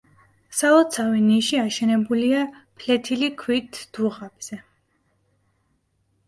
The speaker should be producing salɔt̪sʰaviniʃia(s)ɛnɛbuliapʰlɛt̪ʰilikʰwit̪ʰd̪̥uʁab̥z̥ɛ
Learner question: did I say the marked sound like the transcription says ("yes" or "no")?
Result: no